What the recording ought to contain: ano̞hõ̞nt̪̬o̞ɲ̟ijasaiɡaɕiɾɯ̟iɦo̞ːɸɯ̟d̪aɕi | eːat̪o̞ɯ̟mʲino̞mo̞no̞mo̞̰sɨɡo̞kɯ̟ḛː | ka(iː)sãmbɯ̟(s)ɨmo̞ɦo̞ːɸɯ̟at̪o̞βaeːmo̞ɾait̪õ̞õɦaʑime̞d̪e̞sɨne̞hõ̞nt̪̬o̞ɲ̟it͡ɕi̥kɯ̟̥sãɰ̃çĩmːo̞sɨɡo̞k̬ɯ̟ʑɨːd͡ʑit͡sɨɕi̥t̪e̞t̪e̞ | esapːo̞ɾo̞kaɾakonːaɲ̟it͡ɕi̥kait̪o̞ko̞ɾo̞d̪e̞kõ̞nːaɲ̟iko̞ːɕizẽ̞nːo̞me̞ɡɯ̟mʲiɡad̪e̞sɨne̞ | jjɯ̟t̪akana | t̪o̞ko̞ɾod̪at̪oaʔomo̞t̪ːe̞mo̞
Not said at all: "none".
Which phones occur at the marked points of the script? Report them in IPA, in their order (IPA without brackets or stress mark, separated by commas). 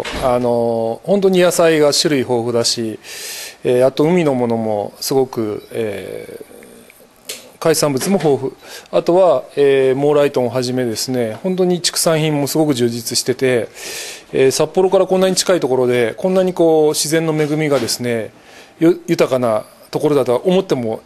i, t͡s